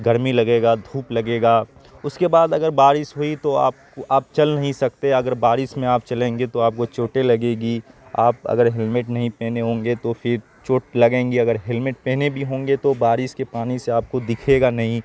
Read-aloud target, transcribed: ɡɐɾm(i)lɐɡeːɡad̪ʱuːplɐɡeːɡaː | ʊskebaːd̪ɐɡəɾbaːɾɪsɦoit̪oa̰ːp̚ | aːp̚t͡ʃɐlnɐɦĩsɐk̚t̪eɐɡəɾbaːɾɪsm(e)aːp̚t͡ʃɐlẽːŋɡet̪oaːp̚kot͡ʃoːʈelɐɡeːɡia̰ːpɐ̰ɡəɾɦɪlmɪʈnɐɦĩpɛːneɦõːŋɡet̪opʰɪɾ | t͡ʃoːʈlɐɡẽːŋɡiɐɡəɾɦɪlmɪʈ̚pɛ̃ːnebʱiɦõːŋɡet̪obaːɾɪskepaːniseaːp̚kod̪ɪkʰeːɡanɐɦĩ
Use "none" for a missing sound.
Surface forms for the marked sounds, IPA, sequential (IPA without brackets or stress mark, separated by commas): i, ẽ